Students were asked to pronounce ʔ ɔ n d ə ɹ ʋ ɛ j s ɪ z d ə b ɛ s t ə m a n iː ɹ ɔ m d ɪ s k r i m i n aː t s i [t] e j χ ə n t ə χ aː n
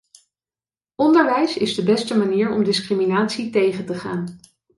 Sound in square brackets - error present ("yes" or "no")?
no